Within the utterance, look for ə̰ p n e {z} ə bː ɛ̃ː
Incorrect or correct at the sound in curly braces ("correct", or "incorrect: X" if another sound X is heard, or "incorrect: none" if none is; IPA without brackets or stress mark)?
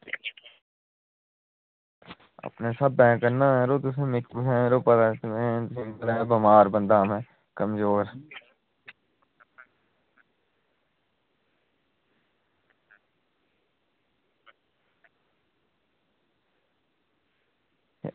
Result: incorrect: s